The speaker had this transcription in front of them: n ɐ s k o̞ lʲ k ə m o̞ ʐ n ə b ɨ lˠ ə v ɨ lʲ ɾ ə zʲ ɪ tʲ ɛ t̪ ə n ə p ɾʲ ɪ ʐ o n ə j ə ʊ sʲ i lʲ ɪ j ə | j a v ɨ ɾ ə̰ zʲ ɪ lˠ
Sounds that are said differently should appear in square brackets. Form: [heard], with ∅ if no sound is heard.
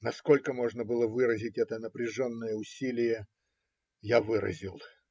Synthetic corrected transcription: n ɐ s k o̞ lʲ k ə m o̞ ʐ n ə b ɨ lˠ ə v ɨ [∅] ɾ ə zʲ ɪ tʲ ɛ t̪ ə n ə p ɾʲ ɪ ʐ o [nː] ə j ə ʊ sʲ i lʲ ɪ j ə | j a v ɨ ɾ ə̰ zʲ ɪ lˠ